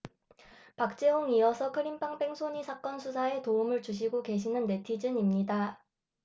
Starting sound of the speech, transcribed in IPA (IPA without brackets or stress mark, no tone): p